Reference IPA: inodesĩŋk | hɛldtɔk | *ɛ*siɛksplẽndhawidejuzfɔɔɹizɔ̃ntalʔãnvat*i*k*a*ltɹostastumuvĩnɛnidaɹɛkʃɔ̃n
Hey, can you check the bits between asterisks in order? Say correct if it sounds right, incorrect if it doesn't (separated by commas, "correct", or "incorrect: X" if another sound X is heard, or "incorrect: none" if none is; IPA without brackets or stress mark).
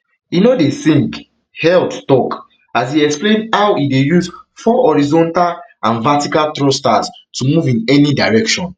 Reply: incorrect: a, correct, correct